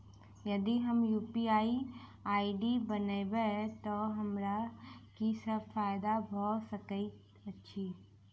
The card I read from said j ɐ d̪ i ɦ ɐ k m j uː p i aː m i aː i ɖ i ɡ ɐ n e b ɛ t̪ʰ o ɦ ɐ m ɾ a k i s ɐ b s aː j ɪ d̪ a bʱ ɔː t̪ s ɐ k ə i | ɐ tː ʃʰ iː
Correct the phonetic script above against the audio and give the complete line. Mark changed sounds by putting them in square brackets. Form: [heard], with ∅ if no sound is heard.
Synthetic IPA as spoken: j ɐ d̪ i ɦ ɐ [∅] m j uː p i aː [∅] i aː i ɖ i [b] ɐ n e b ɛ [t̪] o ɦ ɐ m ɾ a k i s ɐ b [f] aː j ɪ d̪ a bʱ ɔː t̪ s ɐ k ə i | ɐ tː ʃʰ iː